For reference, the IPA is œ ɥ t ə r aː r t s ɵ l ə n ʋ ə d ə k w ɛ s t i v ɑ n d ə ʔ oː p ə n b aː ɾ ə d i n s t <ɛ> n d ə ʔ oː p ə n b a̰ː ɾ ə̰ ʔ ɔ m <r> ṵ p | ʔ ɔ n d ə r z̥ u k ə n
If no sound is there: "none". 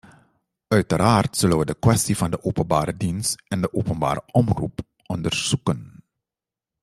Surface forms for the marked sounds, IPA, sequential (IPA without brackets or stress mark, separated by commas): ɛ, r